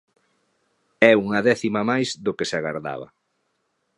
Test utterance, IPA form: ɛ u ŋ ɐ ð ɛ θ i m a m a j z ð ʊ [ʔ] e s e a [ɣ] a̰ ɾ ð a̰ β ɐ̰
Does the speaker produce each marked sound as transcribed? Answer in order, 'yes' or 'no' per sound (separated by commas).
no, yes